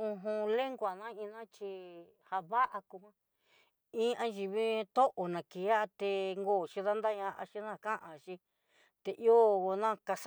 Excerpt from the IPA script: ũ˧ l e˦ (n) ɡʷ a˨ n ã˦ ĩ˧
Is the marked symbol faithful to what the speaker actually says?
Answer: no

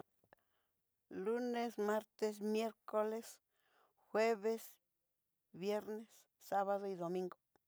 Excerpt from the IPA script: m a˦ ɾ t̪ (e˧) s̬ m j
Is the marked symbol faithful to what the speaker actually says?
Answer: yes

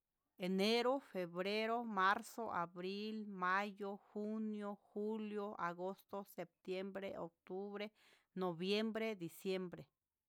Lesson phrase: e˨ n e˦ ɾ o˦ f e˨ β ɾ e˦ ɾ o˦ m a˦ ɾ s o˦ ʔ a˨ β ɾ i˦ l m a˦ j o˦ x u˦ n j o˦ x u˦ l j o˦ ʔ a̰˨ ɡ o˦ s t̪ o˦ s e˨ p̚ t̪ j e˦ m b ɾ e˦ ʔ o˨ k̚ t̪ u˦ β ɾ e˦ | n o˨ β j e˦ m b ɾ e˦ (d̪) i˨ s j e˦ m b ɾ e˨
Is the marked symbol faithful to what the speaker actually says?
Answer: yes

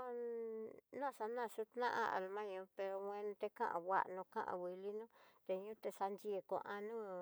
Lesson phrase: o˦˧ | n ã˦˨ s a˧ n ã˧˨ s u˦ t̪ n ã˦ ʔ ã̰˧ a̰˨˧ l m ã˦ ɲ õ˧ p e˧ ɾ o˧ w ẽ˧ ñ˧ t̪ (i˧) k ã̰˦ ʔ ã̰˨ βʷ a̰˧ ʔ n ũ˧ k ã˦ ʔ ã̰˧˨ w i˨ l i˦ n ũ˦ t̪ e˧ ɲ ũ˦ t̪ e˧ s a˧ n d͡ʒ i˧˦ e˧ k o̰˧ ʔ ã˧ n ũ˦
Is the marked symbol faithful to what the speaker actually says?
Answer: no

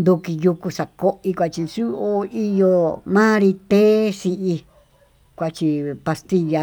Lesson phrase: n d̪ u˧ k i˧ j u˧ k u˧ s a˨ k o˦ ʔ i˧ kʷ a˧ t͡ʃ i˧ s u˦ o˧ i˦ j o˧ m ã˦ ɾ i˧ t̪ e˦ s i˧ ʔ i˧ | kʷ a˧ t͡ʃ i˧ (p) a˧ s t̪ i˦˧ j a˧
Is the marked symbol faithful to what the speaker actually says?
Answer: yes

